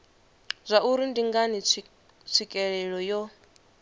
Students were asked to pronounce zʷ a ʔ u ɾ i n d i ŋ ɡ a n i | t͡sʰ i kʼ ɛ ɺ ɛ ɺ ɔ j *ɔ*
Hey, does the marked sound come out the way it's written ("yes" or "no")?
yes